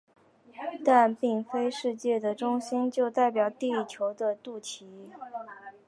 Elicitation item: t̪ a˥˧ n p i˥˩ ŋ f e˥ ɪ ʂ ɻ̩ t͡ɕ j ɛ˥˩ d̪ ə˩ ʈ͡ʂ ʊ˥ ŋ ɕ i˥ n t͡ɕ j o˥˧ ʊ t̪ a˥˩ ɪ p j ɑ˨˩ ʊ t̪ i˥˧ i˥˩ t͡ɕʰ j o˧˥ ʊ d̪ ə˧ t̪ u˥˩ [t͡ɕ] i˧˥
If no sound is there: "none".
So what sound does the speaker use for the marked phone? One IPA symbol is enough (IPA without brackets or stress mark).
t͡ɕʰ